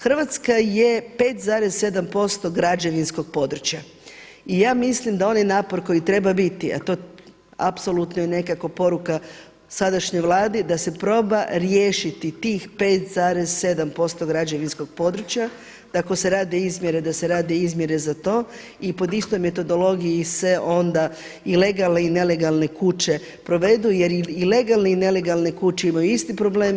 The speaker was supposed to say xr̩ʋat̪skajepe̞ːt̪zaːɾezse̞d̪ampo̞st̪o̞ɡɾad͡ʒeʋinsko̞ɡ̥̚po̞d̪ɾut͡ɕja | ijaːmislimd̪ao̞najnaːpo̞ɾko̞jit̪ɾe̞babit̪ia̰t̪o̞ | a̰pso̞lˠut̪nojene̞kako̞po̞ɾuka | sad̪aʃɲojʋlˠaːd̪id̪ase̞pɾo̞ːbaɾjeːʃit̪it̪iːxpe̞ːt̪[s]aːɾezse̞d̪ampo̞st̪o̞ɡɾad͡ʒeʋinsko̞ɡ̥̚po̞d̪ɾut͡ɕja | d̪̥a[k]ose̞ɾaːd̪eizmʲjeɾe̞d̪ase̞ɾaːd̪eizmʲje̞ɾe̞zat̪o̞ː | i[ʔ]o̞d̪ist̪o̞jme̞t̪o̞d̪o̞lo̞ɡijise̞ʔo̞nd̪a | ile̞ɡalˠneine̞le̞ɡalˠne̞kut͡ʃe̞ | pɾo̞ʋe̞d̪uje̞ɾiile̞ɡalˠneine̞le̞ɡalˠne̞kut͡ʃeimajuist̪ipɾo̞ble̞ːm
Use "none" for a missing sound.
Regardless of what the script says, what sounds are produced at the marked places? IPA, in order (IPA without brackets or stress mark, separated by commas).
z, k, p